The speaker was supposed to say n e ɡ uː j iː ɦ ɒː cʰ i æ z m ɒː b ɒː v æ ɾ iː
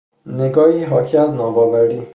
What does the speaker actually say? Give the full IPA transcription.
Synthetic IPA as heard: n e ɡ ɒː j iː ɦ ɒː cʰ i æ z n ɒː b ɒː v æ ɾ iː